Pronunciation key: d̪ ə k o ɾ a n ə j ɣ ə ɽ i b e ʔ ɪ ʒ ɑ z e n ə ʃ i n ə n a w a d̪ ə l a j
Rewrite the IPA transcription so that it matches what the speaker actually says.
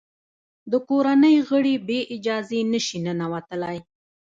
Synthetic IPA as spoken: d̪ ə k o ɾ a n ə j ɣ ə ɽ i b e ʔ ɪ d͡ʒ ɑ z e n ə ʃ i n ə n a w a t̪ ə l a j